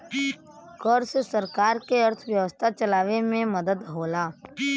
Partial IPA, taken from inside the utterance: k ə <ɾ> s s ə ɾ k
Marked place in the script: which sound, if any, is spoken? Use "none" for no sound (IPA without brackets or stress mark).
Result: ɾ